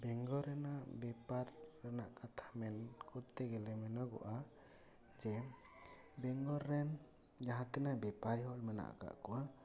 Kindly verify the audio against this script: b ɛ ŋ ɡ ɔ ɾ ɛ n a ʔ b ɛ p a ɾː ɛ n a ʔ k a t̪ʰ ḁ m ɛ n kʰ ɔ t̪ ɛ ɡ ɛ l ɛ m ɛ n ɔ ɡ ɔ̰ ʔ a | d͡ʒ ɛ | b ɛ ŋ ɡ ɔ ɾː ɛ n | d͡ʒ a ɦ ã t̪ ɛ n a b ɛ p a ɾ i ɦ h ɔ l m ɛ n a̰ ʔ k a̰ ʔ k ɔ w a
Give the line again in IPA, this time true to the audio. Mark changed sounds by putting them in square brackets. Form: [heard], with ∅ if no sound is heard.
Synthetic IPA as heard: b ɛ ŋ ɡ ɔ ɾ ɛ n a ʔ b ɛ p a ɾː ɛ n a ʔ k a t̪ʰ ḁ m ɛ n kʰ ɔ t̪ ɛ ɡ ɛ l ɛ m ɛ n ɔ ɡ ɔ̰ ʔ a | d͡ʒ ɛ | b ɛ ŋ ɡ ɔ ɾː ɛ n | d͡ʒ a ɦ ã t̪ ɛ n a b ɛ p a ɾ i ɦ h ɔ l m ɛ n a̰ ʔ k a̰ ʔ k ɔ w a